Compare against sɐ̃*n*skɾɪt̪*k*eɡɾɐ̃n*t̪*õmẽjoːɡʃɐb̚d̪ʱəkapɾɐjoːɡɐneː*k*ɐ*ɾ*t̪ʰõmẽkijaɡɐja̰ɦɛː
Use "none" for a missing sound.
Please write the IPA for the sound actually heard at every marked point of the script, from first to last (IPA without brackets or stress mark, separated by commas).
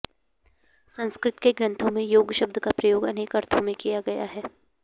n, k, t̪ʰ, k, ɾ